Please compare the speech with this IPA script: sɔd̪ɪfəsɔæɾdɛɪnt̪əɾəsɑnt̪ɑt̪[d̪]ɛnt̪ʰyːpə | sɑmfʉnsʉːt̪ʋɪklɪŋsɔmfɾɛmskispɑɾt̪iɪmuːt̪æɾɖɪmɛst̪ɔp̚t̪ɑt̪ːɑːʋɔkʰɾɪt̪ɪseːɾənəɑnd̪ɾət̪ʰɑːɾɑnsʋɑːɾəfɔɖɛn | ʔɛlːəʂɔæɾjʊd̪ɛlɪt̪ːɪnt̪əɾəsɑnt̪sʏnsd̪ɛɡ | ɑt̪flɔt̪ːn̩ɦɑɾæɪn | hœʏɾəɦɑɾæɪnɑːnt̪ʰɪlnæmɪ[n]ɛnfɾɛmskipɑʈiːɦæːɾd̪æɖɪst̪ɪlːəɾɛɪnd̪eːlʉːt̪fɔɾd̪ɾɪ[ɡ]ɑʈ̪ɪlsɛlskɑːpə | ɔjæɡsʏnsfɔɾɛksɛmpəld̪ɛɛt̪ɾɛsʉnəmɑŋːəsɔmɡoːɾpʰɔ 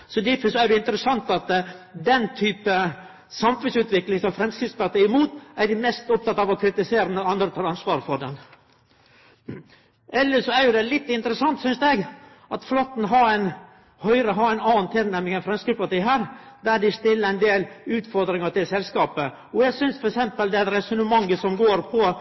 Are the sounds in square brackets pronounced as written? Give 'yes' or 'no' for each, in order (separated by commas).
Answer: yes, no, no